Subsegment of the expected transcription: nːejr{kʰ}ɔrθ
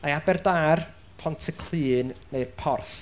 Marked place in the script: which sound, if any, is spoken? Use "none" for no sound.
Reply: pʰ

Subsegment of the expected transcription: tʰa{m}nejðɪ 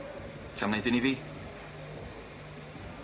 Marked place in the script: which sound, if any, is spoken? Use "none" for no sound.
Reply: m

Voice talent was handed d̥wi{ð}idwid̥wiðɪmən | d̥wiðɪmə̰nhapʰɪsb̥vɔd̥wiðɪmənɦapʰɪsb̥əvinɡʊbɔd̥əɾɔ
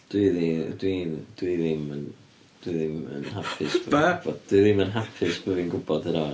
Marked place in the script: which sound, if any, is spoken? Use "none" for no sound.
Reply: ð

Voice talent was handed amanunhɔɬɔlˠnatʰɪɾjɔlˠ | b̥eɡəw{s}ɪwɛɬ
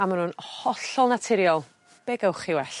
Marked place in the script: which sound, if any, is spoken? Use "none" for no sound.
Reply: χ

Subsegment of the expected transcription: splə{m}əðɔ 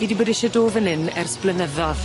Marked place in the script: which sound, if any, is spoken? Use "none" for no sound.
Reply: n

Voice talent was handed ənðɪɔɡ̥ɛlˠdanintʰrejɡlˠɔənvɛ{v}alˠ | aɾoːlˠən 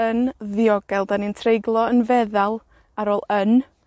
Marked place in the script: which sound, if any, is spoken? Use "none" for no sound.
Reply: ð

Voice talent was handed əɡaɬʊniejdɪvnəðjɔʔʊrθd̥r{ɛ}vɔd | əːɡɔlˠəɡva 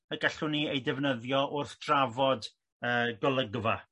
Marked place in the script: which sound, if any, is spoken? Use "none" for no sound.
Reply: a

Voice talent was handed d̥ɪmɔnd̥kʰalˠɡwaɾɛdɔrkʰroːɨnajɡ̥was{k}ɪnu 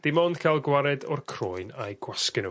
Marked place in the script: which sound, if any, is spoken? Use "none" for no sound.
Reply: k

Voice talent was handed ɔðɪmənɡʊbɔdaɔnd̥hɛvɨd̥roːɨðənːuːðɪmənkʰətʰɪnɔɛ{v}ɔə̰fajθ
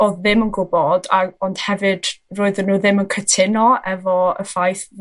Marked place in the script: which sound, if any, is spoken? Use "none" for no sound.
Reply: v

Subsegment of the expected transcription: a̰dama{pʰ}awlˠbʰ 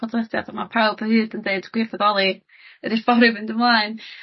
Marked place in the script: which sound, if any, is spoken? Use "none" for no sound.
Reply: pʰ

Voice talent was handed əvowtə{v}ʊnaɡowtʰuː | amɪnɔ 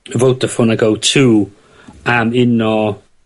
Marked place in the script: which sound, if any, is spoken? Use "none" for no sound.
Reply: f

